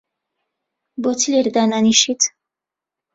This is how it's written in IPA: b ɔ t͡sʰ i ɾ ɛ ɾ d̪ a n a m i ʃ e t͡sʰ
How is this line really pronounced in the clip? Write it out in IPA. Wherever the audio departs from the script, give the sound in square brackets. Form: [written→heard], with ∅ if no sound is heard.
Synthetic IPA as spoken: b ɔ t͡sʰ i [ɾ→l] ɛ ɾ d̪ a n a [m→n] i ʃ [e→i] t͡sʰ